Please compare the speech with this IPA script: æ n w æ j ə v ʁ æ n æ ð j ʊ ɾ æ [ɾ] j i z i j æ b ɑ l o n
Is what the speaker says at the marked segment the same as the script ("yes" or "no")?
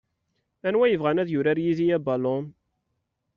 yes